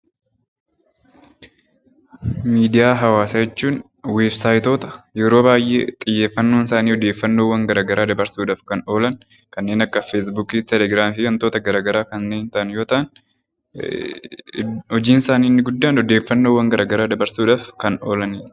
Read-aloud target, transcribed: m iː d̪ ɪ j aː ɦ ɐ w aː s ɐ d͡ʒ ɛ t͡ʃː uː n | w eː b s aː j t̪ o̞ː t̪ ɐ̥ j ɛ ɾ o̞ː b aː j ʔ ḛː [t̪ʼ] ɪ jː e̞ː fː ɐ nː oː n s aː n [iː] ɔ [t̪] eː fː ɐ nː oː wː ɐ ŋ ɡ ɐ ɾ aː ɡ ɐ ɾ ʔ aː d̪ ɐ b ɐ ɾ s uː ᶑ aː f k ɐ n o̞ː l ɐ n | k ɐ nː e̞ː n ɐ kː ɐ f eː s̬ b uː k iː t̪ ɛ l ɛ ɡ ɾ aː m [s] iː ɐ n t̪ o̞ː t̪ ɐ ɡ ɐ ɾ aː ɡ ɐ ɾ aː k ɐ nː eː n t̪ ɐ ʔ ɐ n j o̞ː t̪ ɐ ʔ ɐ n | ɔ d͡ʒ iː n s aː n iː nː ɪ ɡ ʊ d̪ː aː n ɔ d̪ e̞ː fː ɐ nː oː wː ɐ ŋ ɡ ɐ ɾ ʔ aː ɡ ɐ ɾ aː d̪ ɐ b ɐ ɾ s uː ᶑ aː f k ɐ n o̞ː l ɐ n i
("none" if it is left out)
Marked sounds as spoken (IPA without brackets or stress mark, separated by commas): t̪ʼ, iː, d̪, f